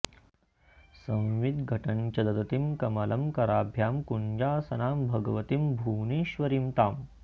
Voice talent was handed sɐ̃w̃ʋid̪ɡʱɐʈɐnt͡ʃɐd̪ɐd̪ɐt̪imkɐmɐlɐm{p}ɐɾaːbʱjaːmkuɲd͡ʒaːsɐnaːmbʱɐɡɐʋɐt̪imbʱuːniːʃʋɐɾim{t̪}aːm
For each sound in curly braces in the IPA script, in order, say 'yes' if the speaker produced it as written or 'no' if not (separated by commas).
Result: no, yes